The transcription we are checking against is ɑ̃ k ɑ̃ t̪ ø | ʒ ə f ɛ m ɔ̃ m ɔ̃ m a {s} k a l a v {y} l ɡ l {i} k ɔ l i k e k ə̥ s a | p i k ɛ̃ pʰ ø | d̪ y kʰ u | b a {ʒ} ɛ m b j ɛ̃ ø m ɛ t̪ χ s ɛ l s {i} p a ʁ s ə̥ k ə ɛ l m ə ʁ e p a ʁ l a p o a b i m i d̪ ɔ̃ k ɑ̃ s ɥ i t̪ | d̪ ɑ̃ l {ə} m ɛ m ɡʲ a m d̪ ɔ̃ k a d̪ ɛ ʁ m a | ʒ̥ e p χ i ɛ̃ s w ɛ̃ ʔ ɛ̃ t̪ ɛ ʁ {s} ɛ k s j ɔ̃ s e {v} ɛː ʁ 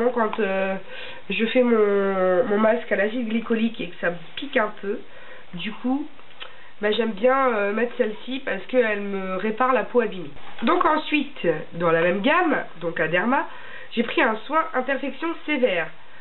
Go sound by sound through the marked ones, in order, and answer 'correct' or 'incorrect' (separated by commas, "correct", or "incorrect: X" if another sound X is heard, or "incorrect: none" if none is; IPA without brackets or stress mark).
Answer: correct, incorrect: i, correct, correct, correct, incorrect: a, incorrect: f, correct